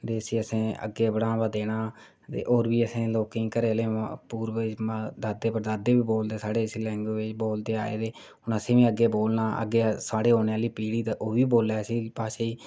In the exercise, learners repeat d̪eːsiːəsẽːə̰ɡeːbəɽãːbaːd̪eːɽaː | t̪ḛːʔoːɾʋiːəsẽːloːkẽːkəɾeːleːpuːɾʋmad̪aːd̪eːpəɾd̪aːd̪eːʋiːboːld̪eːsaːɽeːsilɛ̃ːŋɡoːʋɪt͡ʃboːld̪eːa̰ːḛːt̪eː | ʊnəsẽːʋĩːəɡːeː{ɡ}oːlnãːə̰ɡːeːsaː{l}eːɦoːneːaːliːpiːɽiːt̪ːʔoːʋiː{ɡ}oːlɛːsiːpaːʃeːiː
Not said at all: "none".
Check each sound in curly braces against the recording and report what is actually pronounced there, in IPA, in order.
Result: b, ɽ, b

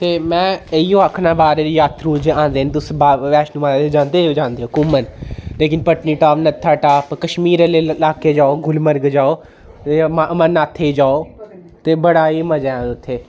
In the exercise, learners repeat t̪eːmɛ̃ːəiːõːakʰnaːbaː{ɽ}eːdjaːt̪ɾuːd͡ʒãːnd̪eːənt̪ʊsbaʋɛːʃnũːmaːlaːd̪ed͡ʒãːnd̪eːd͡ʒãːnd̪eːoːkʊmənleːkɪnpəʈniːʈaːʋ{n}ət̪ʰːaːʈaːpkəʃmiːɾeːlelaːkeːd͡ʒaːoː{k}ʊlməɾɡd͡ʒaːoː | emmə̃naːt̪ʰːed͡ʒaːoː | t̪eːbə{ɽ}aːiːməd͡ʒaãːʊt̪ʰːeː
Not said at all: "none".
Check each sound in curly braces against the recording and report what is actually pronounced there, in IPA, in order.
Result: ɾ, n, ɡ, ɽ

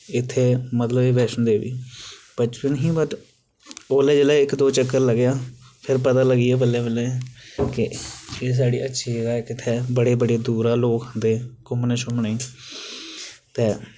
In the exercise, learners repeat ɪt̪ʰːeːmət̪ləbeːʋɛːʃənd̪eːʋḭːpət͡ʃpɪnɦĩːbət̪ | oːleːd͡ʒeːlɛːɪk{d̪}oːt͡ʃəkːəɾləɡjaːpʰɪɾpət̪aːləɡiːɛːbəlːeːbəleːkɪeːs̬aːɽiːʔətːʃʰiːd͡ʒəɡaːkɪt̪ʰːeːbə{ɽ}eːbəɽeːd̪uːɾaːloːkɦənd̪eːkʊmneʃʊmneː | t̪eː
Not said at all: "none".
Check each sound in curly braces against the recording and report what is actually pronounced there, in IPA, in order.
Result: d̪, ɽ

